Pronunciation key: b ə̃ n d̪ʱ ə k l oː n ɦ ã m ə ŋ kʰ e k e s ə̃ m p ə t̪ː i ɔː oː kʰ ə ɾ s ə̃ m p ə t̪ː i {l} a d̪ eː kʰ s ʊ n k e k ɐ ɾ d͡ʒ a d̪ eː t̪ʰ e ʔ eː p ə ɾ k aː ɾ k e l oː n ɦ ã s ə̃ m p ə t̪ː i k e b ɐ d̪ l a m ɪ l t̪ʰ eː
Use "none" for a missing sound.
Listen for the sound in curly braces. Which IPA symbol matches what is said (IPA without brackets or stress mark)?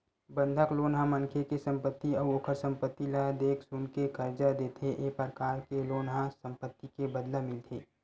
l